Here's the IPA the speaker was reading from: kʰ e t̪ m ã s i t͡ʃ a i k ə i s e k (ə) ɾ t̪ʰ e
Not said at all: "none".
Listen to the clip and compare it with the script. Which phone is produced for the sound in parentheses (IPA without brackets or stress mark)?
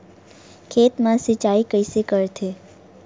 ə